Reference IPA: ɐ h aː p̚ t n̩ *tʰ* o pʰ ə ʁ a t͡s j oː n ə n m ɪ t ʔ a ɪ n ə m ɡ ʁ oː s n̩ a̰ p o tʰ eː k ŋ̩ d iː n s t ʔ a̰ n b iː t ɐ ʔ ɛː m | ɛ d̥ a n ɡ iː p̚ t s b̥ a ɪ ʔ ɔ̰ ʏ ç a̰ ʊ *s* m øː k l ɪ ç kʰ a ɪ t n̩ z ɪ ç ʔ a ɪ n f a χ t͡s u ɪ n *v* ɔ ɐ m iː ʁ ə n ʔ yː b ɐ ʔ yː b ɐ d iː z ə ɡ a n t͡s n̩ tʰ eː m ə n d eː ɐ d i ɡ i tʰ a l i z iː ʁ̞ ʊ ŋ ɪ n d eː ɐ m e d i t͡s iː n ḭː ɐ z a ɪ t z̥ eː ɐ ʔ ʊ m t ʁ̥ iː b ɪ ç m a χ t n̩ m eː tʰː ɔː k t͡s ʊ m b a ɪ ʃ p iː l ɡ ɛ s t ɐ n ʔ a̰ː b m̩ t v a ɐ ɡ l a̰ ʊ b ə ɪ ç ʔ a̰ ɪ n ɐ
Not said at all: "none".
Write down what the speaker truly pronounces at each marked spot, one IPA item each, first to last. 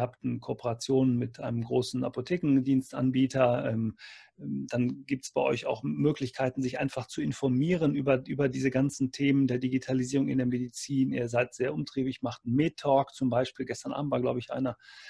kʰ, x, f

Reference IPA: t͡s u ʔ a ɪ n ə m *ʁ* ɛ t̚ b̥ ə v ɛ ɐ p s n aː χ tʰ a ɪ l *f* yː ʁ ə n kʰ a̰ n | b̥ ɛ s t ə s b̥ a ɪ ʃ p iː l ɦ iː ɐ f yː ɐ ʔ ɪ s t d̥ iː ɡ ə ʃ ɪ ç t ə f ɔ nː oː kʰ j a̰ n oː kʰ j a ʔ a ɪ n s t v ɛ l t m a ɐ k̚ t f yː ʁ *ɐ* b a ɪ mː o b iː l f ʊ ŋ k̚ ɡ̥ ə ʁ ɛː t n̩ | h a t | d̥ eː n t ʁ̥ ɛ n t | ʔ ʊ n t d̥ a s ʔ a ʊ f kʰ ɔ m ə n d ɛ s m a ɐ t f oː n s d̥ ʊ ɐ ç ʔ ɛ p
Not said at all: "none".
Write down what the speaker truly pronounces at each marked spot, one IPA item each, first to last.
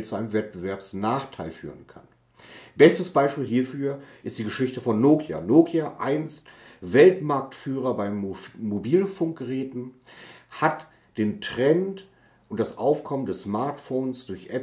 v, f, ɐ

